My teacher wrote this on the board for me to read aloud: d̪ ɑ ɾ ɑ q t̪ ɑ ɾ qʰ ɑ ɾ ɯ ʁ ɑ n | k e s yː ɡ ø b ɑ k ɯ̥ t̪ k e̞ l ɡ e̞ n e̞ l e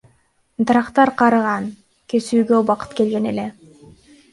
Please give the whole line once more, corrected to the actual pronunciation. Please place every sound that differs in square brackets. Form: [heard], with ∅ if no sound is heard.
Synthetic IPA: d̪ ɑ ɾ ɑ q t̪ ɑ ɾ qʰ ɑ ɾ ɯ ʁ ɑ n | k e s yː ɡ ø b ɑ [q] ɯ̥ t̪ k e̞ l ɡ e̞ n e̞ l e